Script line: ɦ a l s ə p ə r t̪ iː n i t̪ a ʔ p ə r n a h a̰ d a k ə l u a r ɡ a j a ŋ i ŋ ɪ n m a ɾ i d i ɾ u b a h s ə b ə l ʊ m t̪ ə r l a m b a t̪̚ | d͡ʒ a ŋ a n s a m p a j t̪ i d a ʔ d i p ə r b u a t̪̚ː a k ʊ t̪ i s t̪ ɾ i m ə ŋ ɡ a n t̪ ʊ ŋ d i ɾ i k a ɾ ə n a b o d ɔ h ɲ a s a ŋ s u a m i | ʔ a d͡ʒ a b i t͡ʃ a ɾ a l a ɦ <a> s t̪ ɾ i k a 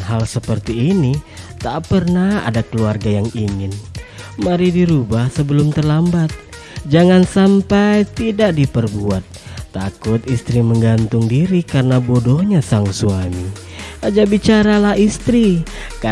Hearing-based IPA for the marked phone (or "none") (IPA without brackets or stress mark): i